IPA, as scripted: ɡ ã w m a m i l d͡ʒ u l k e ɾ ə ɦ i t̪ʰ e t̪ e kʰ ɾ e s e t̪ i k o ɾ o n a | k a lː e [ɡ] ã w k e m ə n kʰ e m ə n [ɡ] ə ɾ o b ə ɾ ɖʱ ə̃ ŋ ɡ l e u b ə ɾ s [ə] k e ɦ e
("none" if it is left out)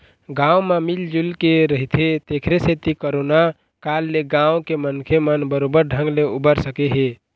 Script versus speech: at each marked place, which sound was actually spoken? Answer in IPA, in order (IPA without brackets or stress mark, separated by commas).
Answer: ɡ, b, ə